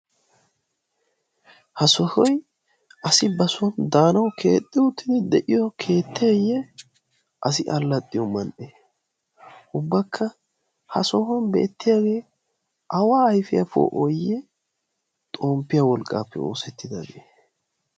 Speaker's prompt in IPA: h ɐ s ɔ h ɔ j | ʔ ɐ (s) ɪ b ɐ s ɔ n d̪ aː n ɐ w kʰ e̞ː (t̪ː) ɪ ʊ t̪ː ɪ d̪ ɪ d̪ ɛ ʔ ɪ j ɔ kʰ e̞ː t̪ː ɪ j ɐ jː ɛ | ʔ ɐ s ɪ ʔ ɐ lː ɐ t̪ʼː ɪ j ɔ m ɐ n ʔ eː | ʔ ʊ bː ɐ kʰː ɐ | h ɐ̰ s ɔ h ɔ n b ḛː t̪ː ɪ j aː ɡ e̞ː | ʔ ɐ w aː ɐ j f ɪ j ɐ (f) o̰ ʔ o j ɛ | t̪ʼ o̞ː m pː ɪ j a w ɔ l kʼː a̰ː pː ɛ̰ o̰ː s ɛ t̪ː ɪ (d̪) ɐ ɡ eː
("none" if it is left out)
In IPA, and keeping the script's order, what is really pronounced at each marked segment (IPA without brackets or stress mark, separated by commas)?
s, t̪ʼː, f, d̪